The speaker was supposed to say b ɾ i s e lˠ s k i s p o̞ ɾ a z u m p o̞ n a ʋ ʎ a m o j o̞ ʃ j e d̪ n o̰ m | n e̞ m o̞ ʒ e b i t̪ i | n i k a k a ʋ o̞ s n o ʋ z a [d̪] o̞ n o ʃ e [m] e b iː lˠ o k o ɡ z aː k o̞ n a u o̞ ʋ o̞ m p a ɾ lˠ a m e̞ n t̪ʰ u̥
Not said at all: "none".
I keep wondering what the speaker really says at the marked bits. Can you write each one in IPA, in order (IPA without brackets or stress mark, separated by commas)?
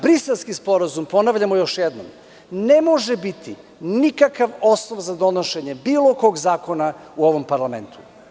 d̪, ɲ